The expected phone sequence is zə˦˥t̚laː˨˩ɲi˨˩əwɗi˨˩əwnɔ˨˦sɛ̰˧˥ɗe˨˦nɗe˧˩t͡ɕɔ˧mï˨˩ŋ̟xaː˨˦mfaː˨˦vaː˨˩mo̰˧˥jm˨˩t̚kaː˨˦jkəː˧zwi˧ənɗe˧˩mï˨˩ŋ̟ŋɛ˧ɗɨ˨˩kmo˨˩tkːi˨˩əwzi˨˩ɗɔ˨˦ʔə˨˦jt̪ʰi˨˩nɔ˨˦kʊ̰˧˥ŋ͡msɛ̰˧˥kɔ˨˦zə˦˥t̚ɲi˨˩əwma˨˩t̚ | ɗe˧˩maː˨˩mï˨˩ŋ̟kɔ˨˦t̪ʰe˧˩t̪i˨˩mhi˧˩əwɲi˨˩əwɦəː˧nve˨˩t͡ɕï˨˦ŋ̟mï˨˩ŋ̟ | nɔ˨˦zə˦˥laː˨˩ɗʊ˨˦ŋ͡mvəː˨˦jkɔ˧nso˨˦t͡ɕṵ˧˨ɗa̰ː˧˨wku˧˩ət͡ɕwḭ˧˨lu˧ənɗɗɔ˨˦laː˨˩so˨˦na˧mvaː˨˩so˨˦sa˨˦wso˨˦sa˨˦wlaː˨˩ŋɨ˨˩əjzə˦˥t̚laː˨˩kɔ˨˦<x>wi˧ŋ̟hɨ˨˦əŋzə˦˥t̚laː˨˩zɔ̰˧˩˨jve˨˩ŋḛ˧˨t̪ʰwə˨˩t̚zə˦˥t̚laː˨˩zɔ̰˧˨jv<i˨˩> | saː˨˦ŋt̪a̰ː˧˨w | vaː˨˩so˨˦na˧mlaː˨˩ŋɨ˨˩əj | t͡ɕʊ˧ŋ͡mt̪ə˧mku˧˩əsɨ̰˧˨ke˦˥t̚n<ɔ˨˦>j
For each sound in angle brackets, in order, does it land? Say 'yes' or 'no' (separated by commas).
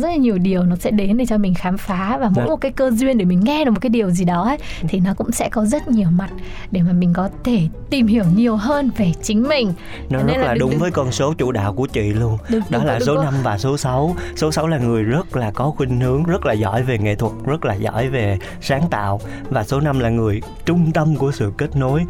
yes, no, no